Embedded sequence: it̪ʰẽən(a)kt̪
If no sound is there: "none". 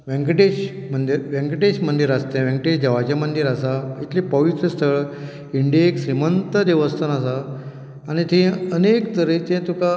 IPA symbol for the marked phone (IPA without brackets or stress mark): e